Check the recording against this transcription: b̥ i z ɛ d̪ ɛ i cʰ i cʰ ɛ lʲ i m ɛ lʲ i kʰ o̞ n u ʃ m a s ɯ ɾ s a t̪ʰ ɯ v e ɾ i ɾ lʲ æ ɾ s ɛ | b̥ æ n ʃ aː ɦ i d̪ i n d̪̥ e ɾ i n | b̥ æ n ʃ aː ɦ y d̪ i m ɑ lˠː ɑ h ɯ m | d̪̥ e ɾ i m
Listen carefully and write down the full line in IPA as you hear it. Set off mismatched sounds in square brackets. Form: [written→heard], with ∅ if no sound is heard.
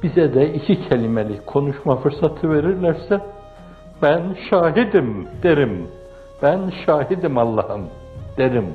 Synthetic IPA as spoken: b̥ i z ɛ d̪ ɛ i cʰ i cʰ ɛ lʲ i m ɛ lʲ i kʰ o̞ n u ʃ m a [s→f] ɯ ɾ s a t̪ʰ ɯ v e ɾ i ɾ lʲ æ ɾ s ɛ | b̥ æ n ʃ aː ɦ i d̪ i [n→m] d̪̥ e ɾ i [n→m] | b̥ æ n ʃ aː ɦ [y→i] d̪ i m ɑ lˠː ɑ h ɯ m | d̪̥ e ɾ i m